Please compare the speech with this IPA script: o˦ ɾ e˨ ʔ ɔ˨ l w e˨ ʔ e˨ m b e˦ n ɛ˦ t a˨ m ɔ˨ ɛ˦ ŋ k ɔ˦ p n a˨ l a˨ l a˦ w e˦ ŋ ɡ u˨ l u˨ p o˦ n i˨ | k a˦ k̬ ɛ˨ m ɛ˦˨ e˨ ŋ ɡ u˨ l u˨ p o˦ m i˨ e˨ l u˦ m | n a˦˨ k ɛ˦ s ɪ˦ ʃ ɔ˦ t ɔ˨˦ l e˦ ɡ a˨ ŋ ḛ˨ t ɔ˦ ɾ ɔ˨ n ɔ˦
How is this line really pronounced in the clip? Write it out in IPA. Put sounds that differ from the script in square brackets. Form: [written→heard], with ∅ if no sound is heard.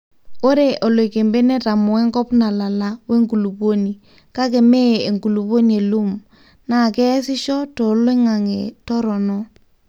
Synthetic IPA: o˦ ɾ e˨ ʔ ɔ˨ l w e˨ [ʔ→k] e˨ m b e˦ n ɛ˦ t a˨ m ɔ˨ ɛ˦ ŋ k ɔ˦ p n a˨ l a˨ l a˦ w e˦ ŋ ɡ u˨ l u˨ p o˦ n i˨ | k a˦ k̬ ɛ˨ m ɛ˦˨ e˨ ŋ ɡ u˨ l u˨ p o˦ [m→n] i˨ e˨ l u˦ m | n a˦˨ k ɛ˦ s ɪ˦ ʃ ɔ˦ t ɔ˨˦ l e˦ [ɡ→ŋ] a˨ ŋ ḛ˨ t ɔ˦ ɾ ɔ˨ n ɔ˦